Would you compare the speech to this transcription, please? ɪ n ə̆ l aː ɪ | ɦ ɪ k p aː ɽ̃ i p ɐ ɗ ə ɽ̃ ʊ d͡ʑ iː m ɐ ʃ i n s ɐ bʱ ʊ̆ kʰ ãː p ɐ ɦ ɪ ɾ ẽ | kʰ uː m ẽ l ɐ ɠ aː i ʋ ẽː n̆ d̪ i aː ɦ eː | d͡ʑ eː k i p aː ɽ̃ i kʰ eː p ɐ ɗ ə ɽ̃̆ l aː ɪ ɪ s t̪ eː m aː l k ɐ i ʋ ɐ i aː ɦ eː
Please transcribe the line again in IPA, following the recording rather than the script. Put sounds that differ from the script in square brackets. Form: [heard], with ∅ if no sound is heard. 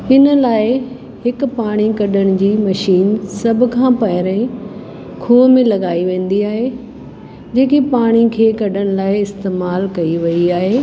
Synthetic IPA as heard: ɪ n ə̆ l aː ɪ | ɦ ɪ k p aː ɽ̃ i [k] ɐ ɗ ə ɽ̃ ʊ d͡ʑ iː m ɐ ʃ [iː] n s ɐ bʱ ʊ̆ kʰ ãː p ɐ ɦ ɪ ɾ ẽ | kʰ uː m ẽ l ɐ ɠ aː i ʋ ẽː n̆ d̪ i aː ɦ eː | d͡ʑ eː k i p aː ɽ̃ i kʰ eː [k] ɐ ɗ ə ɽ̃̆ l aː ɪ ɪ s t̪ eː m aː l k ɐ i ʋ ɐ i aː ɦ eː